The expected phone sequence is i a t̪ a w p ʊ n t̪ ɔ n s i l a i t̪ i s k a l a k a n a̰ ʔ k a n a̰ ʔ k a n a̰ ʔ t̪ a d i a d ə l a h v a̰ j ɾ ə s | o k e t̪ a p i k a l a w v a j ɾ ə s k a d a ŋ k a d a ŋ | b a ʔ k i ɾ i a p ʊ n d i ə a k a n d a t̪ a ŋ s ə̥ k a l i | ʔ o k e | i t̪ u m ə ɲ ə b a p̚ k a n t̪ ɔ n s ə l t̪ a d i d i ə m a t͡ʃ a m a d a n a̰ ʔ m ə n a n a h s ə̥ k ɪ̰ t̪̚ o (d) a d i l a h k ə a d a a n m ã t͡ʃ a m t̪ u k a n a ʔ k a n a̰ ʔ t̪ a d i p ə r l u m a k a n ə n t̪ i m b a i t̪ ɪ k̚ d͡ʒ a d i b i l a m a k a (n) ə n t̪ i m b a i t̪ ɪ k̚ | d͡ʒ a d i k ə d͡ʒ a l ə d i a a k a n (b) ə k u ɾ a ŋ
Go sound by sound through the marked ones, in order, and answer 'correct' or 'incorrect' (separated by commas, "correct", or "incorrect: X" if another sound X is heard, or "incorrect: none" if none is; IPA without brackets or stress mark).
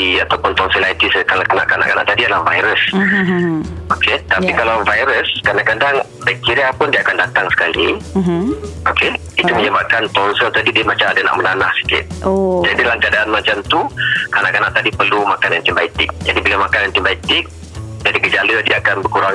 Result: incorrect: d͡ʒ, correct, correct